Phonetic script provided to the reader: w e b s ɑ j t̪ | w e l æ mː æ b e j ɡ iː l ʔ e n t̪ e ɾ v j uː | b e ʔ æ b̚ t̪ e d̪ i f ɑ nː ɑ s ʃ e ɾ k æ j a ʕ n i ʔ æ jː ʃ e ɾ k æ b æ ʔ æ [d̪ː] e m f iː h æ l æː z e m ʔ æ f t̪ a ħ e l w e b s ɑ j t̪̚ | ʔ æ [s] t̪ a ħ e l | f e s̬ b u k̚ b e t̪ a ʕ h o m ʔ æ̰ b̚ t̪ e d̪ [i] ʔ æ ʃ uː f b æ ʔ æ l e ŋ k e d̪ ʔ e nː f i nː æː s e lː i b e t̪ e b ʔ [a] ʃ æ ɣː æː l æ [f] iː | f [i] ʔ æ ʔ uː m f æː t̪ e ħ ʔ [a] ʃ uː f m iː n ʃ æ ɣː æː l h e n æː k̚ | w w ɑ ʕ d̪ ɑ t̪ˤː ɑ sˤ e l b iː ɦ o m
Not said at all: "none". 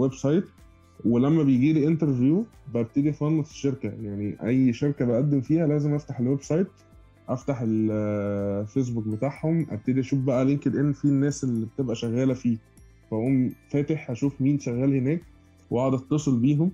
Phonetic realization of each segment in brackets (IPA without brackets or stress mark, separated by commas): d̪ː, f, i, æ, f, æ, æ